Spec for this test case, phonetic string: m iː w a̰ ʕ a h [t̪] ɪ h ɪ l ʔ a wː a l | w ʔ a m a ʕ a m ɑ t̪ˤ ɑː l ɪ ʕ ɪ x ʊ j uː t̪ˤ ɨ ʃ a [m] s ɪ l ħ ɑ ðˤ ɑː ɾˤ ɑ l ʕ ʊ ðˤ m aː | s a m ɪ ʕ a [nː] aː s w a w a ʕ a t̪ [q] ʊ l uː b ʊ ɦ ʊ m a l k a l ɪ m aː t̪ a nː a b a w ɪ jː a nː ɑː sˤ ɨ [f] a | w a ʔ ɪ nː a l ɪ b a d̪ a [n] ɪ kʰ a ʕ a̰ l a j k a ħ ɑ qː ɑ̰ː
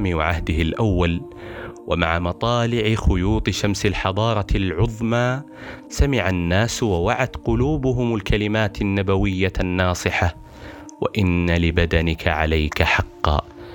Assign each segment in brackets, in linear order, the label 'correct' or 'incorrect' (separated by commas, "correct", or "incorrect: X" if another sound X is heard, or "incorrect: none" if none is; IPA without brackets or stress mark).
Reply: incorrect: d̪, correct, correct, correct, incorrect: ħ, correct